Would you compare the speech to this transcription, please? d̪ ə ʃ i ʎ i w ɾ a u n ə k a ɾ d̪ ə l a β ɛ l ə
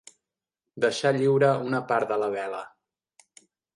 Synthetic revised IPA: d̪ ə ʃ a ʎ i w ɾ ə u n ə p a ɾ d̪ ə l ə β ɛ l ə